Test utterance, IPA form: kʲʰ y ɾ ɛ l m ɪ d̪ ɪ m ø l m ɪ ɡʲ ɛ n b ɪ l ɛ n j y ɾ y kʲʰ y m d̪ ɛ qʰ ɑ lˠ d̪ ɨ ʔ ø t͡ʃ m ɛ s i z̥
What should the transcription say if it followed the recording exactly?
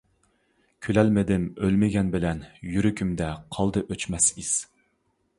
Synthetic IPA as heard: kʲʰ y l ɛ l m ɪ d̪ ɪ m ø l m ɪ ɡʲ ɛ n b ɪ l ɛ n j y ɾ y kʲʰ y m d̪ ɛ qʰ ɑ lˠ d̪ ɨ ʔ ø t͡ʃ m ɛ s i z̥